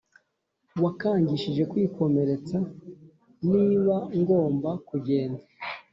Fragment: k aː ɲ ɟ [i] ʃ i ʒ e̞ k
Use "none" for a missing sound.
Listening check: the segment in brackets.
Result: i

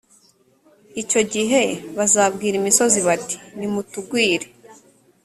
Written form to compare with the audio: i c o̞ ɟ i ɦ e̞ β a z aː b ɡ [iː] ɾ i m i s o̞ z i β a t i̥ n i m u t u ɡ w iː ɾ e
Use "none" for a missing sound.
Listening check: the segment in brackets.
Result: iː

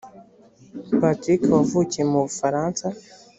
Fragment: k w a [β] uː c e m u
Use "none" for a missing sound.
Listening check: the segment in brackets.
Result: v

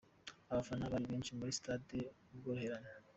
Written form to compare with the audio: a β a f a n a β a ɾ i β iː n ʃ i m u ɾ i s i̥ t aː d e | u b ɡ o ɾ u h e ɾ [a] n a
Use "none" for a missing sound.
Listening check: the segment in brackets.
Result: a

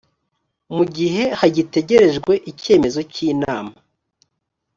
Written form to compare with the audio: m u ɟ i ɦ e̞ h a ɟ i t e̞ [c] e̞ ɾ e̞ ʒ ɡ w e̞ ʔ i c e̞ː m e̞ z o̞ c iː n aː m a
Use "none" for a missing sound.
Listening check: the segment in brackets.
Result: ɟ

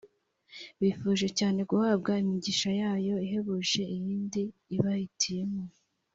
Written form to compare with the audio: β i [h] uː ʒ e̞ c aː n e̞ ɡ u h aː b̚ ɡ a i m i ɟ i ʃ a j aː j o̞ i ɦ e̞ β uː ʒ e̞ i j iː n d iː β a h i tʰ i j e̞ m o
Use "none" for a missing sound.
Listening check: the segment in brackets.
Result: f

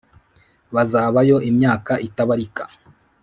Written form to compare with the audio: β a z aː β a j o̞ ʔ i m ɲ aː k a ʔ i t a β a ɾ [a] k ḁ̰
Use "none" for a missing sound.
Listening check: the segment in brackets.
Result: i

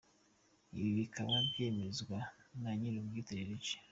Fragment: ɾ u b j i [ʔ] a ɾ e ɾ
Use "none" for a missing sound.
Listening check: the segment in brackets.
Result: t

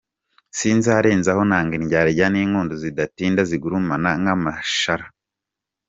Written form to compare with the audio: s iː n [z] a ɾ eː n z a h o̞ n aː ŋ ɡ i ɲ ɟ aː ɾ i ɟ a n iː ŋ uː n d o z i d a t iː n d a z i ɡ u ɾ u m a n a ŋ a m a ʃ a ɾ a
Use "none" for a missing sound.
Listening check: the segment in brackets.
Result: z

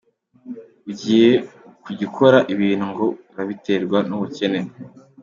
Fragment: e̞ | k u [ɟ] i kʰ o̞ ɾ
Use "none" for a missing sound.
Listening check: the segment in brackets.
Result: ɟ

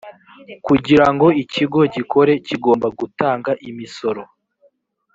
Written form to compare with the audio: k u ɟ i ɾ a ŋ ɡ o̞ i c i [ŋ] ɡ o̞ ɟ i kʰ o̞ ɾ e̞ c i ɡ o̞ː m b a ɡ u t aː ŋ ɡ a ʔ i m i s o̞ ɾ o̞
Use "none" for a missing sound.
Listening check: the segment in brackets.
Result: none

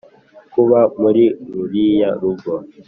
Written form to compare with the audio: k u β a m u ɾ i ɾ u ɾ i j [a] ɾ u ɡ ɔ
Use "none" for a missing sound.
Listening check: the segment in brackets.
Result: a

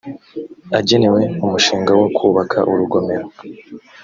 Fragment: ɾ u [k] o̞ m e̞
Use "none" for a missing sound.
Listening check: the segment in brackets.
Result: ɡ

